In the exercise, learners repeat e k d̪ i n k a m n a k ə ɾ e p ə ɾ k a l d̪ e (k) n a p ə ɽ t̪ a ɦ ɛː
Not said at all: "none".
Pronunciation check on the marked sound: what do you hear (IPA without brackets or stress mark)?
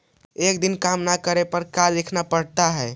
kʰ